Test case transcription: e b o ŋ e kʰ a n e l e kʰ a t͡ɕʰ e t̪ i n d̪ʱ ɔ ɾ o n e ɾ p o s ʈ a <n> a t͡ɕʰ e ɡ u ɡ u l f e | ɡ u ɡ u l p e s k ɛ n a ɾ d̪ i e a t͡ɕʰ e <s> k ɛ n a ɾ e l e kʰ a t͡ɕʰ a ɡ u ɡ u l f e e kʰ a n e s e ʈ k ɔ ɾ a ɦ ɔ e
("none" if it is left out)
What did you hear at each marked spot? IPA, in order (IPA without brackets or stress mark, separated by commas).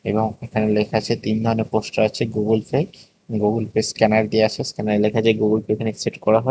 none, s